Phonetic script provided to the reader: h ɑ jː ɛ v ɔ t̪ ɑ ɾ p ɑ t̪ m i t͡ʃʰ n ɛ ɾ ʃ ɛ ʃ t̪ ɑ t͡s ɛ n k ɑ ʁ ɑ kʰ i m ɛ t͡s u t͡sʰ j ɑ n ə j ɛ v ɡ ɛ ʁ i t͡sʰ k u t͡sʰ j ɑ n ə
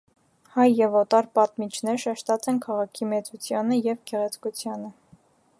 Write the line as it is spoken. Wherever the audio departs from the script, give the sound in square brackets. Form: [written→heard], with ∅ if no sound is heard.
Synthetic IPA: h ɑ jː ɛ v ɔ t̪ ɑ ɾ p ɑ t̪ m i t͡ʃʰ n ɛ ɾ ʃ ɛ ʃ t̪ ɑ t͡s ɛ n [k→kʰ] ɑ ʁ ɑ kʰ i m ɛ t͡s u t͡sʰ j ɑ n ə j ɛ v ɡ ɛ ʁ [i→ɛ] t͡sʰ k u t͡sʰ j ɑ n ə